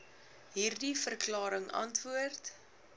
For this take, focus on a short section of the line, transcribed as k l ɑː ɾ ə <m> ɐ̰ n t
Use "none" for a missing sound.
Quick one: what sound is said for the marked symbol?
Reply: ŋ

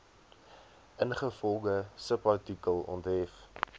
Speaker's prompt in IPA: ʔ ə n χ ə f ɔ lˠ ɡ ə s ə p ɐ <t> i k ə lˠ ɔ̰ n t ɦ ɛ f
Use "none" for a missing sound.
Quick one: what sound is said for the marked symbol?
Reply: t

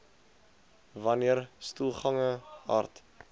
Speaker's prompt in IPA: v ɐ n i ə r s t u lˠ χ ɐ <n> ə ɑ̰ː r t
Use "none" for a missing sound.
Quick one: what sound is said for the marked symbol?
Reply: ŋ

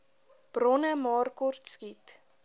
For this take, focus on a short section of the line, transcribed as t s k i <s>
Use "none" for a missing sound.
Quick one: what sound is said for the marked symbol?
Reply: t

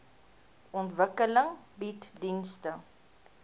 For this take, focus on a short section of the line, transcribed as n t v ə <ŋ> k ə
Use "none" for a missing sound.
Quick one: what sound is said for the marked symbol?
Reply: none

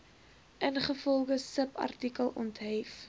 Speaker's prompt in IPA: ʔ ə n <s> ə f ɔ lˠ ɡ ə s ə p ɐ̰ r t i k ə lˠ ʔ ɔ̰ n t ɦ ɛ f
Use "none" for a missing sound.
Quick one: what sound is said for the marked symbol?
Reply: χ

